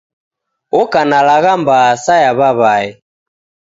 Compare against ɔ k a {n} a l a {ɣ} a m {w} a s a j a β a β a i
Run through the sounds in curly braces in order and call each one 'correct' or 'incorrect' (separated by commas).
correct, correct, incorrect